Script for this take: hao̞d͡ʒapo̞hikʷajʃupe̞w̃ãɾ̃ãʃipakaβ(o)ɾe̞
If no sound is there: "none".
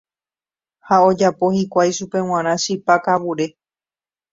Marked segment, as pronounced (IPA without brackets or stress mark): u